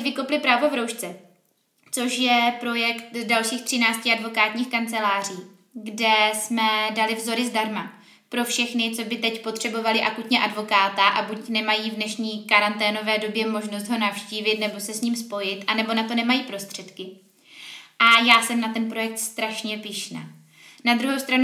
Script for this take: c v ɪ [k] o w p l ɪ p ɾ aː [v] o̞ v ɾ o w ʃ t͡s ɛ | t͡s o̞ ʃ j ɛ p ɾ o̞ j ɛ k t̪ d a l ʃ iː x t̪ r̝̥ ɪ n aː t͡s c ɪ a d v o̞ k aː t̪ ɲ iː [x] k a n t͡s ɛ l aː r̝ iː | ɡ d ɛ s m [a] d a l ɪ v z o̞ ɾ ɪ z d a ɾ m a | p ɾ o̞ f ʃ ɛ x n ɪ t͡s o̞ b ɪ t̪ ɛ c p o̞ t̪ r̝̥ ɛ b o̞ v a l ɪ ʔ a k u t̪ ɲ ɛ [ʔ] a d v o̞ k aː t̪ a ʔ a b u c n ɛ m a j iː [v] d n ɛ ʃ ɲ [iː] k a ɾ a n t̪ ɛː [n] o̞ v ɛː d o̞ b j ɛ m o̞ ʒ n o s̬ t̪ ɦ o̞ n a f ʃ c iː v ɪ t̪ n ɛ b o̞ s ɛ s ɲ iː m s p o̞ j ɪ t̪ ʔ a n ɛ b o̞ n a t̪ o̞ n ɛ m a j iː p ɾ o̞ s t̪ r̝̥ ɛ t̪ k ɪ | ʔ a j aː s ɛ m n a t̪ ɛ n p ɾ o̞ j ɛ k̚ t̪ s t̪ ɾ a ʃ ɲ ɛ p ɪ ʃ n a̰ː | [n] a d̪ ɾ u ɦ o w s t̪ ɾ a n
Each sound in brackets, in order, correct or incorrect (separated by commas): correct, correct, correct, incorrect, correct, correct, correct, correct, correct